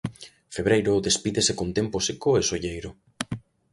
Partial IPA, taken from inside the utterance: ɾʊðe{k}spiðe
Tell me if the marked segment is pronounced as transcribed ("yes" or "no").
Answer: no